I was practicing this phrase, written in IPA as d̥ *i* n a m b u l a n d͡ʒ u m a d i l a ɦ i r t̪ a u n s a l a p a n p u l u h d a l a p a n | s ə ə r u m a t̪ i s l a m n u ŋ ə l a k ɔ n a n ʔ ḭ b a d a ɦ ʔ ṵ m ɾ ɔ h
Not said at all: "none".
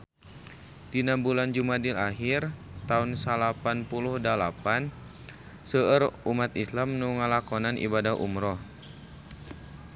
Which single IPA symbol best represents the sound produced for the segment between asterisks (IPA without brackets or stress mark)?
i